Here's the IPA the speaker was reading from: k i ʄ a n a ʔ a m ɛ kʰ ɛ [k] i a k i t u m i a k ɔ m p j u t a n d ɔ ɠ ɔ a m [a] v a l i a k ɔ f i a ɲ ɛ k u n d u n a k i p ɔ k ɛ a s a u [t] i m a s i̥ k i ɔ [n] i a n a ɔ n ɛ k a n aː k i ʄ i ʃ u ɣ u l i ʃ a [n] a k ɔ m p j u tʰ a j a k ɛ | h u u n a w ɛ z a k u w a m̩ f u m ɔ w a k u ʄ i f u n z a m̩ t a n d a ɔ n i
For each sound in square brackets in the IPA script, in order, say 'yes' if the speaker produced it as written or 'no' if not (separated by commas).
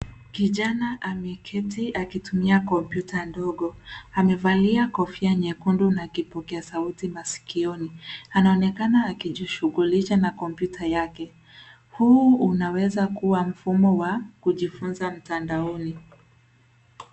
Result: no, no, yes, yes, yes